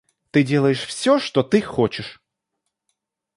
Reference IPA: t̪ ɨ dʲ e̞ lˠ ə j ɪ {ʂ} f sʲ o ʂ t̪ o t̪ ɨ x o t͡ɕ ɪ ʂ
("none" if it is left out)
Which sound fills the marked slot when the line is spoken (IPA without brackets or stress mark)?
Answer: ʂ